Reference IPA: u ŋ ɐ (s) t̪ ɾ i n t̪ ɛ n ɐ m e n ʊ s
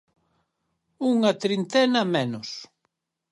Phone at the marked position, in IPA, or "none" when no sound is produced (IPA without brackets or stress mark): none